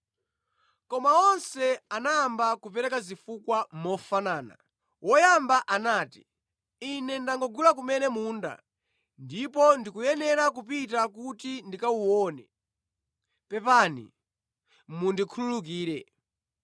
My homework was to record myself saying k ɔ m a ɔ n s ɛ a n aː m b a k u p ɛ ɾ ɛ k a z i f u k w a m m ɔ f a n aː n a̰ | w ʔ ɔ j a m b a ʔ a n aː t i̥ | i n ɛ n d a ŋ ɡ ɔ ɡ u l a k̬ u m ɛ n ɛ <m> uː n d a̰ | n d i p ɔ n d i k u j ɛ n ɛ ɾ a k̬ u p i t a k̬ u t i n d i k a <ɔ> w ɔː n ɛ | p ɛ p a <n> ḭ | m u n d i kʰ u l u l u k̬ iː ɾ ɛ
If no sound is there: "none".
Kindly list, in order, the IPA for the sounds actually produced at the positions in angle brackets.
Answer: m, u, n

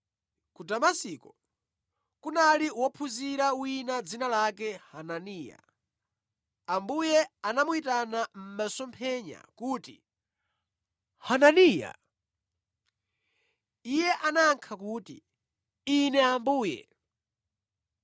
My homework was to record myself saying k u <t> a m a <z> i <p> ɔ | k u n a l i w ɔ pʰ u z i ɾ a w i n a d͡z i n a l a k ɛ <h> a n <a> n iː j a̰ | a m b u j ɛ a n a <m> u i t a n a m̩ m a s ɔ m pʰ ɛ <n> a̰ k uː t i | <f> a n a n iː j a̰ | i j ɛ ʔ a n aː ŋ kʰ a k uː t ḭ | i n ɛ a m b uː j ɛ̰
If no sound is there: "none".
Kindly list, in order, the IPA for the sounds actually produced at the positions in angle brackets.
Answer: d, s, k, h, a, m, ɲ, h

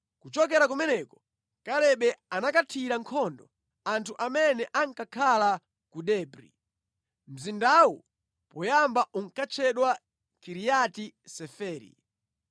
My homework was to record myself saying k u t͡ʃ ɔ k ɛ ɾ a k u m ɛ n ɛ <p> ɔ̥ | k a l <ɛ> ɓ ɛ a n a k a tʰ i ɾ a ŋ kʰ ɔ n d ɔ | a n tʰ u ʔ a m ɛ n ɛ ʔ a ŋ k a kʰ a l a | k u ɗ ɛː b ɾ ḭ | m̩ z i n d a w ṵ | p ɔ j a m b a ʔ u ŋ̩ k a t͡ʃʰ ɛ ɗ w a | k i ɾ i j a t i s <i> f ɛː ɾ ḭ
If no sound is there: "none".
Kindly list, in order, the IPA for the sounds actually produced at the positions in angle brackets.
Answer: k, ɛ, ɛ

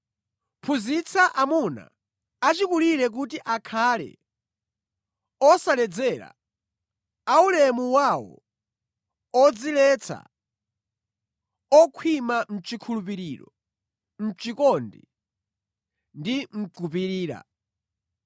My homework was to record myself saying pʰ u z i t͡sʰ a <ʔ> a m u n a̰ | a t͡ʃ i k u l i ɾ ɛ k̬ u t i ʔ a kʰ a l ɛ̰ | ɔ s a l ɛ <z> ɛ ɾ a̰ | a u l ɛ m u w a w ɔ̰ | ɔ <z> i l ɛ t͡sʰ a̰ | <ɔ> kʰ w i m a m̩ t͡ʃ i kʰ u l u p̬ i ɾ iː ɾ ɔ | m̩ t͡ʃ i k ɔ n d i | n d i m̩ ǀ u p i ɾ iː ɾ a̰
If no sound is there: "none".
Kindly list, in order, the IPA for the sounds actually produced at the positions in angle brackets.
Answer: ʔ, d͡z, d͡z, ɔ

